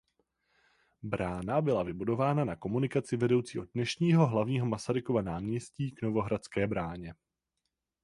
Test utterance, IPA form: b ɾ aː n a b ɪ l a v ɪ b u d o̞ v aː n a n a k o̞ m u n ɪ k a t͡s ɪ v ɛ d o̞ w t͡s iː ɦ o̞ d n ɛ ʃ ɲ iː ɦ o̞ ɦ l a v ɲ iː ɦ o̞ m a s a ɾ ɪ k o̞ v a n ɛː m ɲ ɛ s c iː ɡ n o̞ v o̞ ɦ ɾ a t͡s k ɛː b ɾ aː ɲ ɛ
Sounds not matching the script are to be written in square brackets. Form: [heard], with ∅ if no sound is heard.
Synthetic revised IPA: b ɾ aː n a b ɪ l a v ɪ b u d o̞ v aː n a n a k o̞ m u n ɪ k a t͡s ɪ v ɛ d o̞ w t͡s iː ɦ o̞ d n ɛ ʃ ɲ iː ɦ o̞ ɦ l a v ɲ iː ɦ o̞ m a s a ɾ ɪ k o̞ v a n [aː] m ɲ ɛ s c iː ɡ n o̞ v o̞ ɦ ɾ a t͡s k ɛː b ɾ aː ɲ ɛ

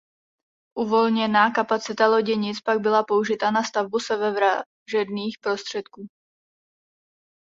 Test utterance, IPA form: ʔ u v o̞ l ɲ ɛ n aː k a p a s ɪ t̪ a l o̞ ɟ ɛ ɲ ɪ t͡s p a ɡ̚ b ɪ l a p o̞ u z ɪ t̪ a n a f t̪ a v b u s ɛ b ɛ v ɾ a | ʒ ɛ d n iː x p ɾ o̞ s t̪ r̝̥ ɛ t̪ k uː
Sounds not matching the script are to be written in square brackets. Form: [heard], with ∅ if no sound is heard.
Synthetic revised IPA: ʔ u v o̞ l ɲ ɛ n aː k a p a [t͡s] ɪ t̪ a l o̞ ɟ ɛ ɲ ɪ t͡s p a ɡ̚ b ɪ l a p o̞ u [ʒ] ɪ t̪ a n a [s] t̪ a v b u s ɛ [v] ɛ v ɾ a | ʒ ɛ d n iː x p ɾ o̞ s t̪ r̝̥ ɛ t̪ k uː

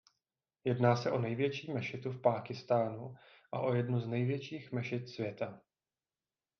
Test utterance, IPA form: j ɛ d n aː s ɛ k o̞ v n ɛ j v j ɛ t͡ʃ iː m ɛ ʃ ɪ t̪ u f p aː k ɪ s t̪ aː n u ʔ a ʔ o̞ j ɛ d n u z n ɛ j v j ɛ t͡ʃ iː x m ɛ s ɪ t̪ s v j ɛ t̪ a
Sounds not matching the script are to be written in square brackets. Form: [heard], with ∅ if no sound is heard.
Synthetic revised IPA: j ɛ d n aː s ɛ [ʔ] o̞ [∅] n ɛ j v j ɛ t͡ʃ iː m ɛ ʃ ɪ t̪ u f p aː k ɪ s t̪ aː n u ʔ a ʔ o̞ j ɛ d n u z n ɛ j v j ɛ t͡ʃ iː x m ɛ [ʃ] ɪ t̪ s v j ɛ t̪ a

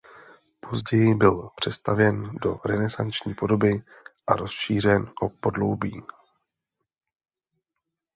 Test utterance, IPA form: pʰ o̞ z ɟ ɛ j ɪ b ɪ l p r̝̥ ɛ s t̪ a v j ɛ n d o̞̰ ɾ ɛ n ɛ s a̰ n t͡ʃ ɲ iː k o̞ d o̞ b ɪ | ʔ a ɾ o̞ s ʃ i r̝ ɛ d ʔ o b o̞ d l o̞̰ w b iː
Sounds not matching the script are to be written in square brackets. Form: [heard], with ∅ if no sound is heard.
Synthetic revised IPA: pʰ o̞ z ɟ ɛ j ɪ b ɪ l p r̝̥ ɛ s t̪ a v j ɛ n d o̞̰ ɾ ɛ n ɛ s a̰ n t͡ʃ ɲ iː [p] o̞ d o̞ b ɪ | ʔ a ɾ o̞ s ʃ [iː] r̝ ɛ [n] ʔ o [p] o̞ d l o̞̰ w b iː

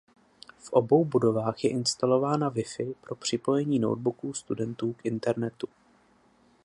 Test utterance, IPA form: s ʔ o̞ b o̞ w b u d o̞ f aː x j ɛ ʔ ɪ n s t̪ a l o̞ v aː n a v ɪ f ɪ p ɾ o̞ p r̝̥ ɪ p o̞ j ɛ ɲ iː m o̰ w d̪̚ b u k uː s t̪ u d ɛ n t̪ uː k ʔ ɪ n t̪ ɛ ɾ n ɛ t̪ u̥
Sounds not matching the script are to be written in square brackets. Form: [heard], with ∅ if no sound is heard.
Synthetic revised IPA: [f] ʔ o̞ b o̞ w b u d o̞ [v] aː x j ɛ ʔ ɪ n s t̪ a l o̞ v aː n a v ɪ f ɪ p ɾ o̞ p r̝̥ ɪ p o̞ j ɛ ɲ iː [n] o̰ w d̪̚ b u k uː s t̪ u d ɛ n t̪ uː k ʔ ɪ n t̪ ɛ ɾ n ɛ t̪ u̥

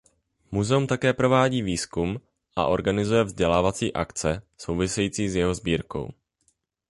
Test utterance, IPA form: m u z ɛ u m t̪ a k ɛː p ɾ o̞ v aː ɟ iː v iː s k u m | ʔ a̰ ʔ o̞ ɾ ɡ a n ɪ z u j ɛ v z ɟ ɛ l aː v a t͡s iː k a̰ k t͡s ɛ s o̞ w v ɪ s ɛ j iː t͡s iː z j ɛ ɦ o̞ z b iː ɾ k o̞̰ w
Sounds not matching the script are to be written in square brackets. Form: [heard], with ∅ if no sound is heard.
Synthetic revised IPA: m u z ɛ u m t̪ a k ɛː p ɾ o̞ v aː ɟ iː v iː s k u m | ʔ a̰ ʔ o̞ ɾ ɡ a n ɪ z u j ɛ v z ɟ ɛ l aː v a t͡s iː [ʔ] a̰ k t͡s ɛ s o̞ w v ɪ s ɛ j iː t͡s iː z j ɛ ɦ o̞ z b iː ɾ k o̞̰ w

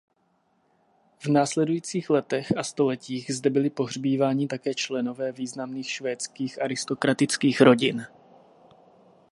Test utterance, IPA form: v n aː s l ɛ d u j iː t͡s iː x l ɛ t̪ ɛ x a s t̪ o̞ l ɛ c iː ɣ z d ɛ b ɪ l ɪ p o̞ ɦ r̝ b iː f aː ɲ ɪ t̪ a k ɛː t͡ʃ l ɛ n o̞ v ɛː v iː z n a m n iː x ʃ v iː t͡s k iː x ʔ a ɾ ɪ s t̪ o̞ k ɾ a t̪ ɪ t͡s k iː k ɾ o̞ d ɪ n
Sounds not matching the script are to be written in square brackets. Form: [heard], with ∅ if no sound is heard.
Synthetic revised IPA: v n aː s l ɛ d u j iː t͡s iː x l ɛ t̪ ɛ x a s t̪ o̞ l ɛ c iː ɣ z d ɛ b ɪ l ɪ p o̞ ɦ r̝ b iː [v] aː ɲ ɪ t̪ a k ɛː t͡ʃ l ɛ n o̞ v ɛː v iː z n a m n iː x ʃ v [ɛː] t͡s k iː x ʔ a ɾ ɪ s t̪ o̞ k ɾ a t̪ ɪ t͡s k iː [x] ɾ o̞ [ɟ] ɪ n

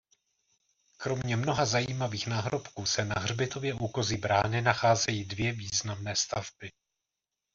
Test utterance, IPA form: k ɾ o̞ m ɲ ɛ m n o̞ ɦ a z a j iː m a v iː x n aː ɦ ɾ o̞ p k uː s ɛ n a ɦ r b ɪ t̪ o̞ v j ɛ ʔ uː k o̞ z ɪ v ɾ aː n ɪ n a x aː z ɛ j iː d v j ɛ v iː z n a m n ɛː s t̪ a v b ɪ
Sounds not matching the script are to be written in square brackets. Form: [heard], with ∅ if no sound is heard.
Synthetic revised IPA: k ɾ o̞ m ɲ ɛ m n o̞ ɦ a z a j iː m a v iː x n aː ɦ ɾ o̞ p k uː s ɛ n a ɦ r b ɪ t̪ o̞ v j ɛ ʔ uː k o̞ z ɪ [b] ɾ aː n ɪ n a x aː z ɛ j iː d v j ɛ v iː z n a m n ɛː s t̪ a v b ɪ

